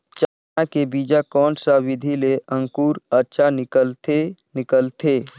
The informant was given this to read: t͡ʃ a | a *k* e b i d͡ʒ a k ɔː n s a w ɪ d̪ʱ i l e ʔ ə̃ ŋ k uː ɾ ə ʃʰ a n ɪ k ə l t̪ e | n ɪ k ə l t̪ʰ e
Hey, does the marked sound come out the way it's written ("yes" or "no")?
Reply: yes